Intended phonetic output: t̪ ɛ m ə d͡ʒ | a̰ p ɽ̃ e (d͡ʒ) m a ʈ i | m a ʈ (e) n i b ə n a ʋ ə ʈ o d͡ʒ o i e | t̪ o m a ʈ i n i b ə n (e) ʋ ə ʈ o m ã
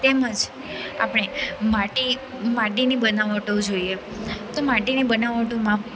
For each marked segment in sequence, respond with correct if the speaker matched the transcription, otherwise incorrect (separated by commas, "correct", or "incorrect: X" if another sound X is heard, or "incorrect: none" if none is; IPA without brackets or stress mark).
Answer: incorrect: none, incorrect: i, incorrect: a